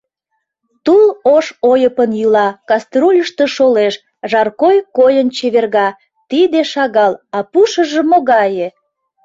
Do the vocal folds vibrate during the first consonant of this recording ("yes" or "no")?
no